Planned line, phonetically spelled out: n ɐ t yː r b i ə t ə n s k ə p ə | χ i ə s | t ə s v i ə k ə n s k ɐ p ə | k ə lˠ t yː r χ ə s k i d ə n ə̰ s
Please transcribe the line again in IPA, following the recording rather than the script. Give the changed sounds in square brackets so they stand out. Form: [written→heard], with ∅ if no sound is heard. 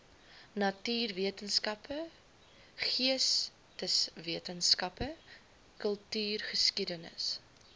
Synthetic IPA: n ɐ t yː r [b→v] i ə t ə n s k [ə→ɐ] p ə | χ i ə s | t ə s v i ə [k→t] ə n s k ɐ p ə | k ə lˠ t yː r χ ə s k i d ə n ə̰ s